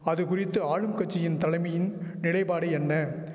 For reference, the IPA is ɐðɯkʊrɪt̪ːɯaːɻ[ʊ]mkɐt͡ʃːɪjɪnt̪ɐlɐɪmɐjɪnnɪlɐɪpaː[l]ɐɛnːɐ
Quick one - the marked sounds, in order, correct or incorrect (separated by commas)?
incorrect, incorrect